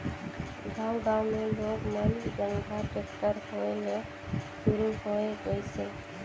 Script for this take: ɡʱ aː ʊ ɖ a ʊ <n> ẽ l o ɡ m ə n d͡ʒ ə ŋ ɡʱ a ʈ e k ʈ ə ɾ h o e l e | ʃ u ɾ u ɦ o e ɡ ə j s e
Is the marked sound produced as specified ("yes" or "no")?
no